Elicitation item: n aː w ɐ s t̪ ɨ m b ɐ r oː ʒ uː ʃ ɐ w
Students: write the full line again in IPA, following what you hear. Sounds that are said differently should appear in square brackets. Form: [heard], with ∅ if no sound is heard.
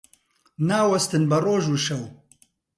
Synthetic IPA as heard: n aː w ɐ s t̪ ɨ [n] b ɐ r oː ʒ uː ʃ ɐ w

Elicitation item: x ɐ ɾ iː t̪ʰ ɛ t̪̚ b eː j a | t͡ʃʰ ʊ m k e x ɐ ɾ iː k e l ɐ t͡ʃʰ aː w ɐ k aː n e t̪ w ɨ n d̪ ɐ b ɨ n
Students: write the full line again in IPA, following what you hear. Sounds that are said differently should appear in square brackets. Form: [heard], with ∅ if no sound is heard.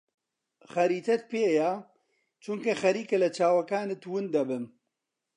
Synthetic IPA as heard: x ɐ ɾ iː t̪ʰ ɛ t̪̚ [p] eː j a | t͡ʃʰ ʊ [ŋ] k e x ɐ ɾ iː k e l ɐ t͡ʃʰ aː w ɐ k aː n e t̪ w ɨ n d̪ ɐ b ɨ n

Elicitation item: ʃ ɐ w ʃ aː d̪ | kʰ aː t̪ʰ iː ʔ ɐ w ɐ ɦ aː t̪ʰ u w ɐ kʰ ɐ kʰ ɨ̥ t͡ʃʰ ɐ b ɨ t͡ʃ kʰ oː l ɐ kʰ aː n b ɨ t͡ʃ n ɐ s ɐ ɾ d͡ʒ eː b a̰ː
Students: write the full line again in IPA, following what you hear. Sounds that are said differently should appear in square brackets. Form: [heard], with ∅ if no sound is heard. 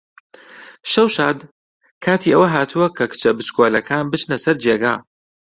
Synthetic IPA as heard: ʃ ɐ w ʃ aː d̪ | kʰ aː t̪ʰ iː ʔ ɐ w ɐ ɦ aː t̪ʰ u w ɐ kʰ ɐ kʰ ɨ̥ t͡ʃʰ ɐ b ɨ t͡ʃ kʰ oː l ɐ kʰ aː n b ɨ t͡ʃ n ɐ s ɐ ɾ d͡ʒ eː [ɡ] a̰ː

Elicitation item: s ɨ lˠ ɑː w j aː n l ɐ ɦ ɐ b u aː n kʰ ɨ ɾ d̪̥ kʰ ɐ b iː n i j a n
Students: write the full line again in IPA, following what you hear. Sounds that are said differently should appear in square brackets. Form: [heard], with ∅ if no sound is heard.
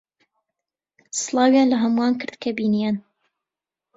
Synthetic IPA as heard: s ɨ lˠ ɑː w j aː n l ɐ ɦ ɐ [m] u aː n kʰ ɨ ɾ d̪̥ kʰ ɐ b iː n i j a n

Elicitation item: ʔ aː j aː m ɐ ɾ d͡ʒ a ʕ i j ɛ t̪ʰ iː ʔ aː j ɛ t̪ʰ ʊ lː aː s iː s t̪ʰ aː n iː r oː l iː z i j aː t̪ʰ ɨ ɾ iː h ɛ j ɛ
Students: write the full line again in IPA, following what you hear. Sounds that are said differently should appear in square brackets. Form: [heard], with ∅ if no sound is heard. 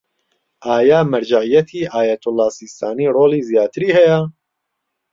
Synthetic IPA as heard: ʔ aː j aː m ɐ ɾ d͡ʒ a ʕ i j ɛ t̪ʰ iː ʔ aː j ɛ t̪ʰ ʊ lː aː s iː s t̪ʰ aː n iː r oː l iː z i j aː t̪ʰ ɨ ɾ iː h ɛ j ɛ

